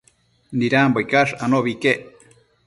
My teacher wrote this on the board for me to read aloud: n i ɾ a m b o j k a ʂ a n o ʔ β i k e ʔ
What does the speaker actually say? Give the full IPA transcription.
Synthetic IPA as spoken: n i ɾ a m b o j k a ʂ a n o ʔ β i k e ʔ